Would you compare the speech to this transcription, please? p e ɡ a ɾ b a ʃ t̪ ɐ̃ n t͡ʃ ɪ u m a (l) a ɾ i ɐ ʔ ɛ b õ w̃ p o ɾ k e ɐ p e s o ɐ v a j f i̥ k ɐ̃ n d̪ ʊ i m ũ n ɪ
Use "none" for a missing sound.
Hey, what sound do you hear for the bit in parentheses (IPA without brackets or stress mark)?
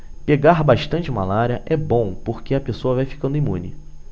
l